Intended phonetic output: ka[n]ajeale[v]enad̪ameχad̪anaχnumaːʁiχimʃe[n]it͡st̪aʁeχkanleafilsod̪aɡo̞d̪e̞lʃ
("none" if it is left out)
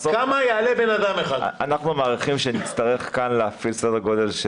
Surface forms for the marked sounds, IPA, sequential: m, b, n

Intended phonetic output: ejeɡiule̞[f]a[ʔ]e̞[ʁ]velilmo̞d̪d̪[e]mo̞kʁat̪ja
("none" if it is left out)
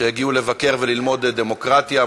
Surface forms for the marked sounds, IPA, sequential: v, k, ʁ, e

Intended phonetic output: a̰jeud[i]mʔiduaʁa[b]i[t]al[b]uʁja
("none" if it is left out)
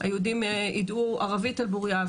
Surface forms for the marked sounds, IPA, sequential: i, v, t, b

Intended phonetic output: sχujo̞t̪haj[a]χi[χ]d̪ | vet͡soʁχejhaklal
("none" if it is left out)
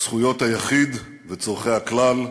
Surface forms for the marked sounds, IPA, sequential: a, none

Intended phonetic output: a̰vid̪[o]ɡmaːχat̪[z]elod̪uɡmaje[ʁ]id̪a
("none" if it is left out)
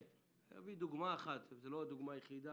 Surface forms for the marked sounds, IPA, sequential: u, z, χ

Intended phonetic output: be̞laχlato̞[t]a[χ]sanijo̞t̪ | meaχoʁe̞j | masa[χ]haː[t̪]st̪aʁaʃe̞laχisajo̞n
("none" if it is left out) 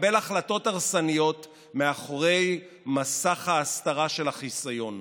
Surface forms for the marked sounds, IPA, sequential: t, ʁ, χ, none

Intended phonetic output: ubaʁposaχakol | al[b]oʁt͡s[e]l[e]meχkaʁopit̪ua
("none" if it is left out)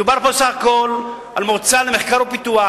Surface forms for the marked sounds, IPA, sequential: m, a, e

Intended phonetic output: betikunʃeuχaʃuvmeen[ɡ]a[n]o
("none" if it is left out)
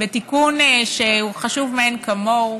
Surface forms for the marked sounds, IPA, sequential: k, m

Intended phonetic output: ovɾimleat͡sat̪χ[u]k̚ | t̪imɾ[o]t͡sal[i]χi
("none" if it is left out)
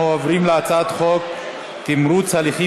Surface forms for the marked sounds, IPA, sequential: o, u, i

